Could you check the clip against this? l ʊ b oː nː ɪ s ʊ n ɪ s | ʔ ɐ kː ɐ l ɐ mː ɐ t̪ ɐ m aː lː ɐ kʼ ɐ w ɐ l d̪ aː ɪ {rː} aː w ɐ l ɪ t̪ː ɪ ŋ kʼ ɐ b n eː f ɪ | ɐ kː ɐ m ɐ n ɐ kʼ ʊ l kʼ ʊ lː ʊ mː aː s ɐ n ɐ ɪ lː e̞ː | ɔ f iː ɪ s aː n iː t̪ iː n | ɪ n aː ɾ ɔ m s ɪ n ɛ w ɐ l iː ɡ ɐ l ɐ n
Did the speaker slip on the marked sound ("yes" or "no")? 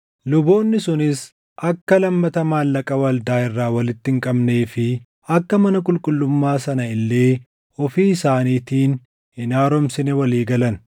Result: no